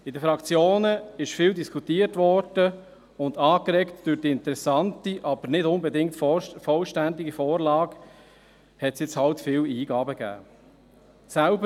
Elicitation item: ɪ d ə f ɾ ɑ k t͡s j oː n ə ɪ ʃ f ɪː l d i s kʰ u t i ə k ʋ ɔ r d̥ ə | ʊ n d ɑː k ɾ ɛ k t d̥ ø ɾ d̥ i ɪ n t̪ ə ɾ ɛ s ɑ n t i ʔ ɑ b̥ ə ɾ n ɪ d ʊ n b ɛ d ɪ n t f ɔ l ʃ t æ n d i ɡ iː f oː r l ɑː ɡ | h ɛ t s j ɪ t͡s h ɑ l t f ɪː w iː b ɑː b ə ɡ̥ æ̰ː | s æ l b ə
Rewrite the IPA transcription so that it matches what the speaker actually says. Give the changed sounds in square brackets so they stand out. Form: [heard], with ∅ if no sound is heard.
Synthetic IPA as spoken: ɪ d ə f ɾ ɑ k t͡s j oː n ə ɪ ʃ f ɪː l d i s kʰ u t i ə [t] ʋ ɔ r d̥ ə | ʊ n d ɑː k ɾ ɛ k t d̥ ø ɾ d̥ i ɪ n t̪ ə ɾ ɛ s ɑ n t i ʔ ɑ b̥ ə ɾ n ɪ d ʊ n b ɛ d ɪ [ŋ] t f ɔ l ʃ t æ n d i ɡ [i] f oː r l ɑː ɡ | h ɛ t s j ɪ t͡s h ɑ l t f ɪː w iː [ɡ] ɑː b ə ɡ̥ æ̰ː | s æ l b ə